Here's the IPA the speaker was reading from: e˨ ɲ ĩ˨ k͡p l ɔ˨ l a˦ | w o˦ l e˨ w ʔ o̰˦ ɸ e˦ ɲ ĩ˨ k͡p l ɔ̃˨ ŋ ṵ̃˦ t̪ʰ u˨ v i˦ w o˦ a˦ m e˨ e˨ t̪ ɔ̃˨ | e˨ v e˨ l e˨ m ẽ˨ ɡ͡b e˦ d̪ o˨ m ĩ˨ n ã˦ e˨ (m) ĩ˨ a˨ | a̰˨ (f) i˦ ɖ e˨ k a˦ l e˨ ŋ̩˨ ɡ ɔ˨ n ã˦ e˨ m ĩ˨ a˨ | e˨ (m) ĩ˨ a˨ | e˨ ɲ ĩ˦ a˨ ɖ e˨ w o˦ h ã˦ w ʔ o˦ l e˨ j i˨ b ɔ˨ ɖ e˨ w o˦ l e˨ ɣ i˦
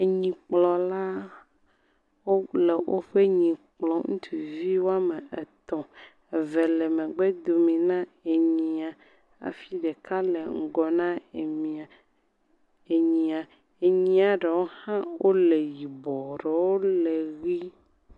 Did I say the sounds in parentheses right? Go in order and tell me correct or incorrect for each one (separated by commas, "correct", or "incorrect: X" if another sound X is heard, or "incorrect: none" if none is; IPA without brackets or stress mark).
incorrect: ɲ, correct, incorrect: ɲ